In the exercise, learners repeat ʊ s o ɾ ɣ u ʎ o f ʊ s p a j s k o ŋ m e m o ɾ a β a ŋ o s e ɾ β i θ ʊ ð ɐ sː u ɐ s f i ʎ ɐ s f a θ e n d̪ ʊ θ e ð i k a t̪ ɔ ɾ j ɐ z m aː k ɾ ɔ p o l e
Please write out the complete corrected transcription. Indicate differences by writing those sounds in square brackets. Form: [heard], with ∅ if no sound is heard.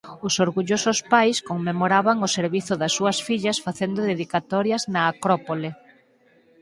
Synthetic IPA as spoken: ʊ s o ɾ ɣ u ʎ o [s] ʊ s p a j s k o ŋ m e m o ɾ a β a ŋ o s e ɾ β i θ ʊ ð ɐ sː u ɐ s f i ʎ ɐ s f a θ e n d̪ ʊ [ð] e ð i k a t̪ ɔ ɾ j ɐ z [n] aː k ɾ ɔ p o l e